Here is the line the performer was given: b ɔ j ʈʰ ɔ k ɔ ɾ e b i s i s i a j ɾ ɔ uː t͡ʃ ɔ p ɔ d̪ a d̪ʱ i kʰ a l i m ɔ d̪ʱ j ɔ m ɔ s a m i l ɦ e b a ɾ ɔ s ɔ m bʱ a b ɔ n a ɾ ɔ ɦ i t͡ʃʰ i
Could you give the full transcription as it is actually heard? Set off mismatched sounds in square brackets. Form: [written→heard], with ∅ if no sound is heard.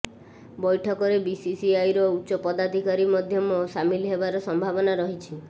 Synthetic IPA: b ɔ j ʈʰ ɔ k ɔ ɾ e b i s i s i a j ɾ ɔ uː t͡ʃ ɔ p ɔ d̪ a d̪ʱ i [kʰ→k] a [l→ɾ] i m ɔ d̪ʱ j ɔ m ɔ s a m i l ɦ e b a ɾ ɔ s ɔ m bʱ a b ɔ n a ɾ ɔ ɦ i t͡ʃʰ i